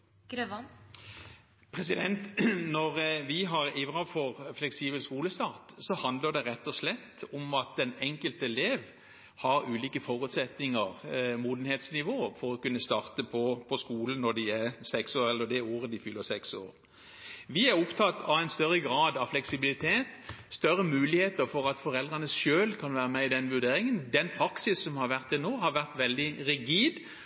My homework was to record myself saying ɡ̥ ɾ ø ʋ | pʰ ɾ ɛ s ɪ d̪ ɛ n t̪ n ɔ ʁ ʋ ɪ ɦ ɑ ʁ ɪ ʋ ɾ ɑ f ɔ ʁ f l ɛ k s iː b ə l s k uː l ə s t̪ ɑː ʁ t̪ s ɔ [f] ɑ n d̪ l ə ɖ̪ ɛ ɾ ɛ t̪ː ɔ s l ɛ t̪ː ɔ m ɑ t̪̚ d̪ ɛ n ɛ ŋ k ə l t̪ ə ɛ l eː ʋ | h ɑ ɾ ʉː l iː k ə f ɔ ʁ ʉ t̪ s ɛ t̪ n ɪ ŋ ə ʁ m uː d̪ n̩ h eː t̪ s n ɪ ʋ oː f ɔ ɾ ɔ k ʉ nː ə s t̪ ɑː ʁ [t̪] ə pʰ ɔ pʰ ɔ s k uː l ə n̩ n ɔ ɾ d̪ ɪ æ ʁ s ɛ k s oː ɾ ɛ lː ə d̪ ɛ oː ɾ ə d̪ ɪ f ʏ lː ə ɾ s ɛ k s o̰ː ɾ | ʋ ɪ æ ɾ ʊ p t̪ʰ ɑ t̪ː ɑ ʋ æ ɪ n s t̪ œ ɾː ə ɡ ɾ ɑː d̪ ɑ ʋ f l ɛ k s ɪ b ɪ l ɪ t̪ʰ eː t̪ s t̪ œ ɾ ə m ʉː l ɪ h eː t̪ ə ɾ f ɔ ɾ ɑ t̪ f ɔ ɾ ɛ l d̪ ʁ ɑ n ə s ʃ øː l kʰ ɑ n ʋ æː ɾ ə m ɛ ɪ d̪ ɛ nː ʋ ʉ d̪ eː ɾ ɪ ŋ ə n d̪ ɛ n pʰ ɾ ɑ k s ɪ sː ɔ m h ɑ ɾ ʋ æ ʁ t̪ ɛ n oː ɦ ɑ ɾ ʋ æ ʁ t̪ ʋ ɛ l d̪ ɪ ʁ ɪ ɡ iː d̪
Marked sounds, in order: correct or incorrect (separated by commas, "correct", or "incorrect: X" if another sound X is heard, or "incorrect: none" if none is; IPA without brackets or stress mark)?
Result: incorrect: h, correct